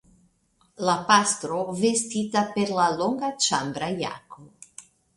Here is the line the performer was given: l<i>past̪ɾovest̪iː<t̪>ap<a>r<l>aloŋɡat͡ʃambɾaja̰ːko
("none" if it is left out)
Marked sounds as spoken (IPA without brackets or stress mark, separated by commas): a, t̪, e, l